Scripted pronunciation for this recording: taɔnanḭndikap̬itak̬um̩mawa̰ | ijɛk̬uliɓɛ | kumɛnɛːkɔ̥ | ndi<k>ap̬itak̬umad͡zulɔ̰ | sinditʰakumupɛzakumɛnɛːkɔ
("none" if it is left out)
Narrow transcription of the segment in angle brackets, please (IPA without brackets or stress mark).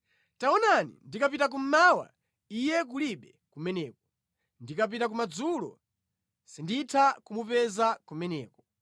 k